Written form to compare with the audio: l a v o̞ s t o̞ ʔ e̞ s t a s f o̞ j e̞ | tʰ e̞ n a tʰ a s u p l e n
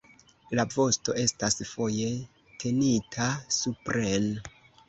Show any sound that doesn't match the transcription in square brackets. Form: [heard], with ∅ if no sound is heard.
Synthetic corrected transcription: l a v o̞ s t o̞ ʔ e̞ s t a s f o̞ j e̞ | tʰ e̞ n [i] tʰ a s u p [ɾ] e n